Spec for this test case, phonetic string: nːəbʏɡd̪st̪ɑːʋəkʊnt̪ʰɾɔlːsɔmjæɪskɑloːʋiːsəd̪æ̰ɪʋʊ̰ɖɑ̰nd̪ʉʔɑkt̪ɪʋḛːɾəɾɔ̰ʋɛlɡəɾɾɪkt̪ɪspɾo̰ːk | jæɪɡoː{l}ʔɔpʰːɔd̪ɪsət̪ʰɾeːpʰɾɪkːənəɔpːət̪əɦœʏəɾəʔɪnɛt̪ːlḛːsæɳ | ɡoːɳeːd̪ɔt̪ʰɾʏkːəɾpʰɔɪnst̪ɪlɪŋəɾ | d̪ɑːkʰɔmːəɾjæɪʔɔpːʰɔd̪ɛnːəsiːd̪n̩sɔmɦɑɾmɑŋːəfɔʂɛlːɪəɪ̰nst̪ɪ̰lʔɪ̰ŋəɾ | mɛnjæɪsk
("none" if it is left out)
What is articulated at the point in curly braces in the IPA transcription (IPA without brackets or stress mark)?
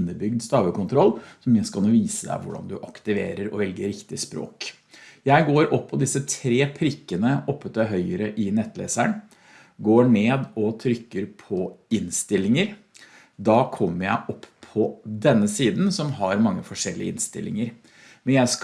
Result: ɾ